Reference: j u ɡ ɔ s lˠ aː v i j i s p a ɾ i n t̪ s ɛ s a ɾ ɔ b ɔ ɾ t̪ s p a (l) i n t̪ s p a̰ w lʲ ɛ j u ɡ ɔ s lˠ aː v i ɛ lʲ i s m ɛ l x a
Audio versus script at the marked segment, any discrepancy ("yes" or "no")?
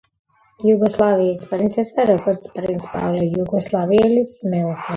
yes